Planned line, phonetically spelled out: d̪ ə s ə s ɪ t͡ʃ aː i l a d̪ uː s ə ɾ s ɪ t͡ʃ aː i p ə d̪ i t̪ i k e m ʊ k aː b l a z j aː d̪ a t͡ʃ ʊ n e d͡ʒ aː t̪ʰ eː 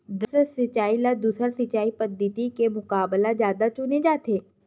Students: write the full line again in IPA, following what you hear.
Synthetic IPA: d̪ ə s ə s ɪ t͡ʃ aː i l a d̪ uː s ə ɾ s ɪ t͡ʃ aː i p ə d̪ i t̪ i k e m ʊ k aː b l a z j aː d̪ a t͡ʃ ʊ n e d͡ʒ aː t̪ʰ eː

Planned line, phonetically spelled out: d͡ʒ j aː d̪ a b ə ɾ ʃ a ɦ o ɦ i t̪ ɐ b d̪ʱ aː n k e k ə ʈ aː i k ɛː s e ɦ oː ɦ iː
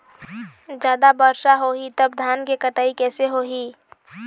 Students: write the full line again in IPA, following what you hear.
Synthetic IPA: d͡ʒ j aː d̪ a b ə ɾ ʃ a ɦ o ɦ i t̪ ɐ b d̪ʱ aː n k e k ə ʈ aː i k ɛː s e ɦ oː ɦ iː

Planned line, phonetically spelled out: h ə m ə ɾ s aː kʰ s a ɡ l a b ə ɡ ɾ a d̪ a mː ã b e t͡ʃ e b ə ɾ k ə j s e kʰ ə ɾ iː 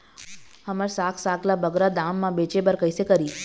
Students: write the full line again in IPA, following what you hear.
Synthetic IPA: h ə m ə ɾ s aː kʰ s a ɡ l a b ə ɡ ɾ a d̪ a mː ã b e t͡ʃ e b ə ɾ k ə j s e k ə ɾ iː

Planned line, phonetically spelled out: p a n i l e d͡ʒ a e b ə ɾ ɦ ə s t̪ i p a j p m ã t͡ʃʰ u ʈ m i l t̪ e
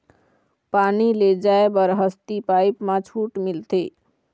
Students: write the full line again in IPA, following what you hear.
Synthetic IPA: p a n i l e d͡ʒ a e b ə ɾ ɦ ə s t̪ i p a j p m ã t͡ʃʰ u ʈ m i l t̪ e

